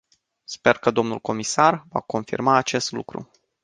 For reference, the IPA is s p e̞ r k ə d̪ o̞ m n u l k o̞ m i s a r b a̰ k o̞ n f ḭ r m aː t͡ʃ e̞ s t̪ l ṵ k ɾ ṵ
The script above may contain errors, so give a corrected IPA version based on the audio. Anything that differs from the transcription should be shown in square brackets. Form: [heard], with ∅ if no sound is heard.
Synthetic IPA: s p e̞ r k ə d̪ o̞ m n u l k o̞ m i s a r [v] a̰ k o̞ n f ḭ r m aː t͡ʃ e̞ s t̪ l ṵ k ɾ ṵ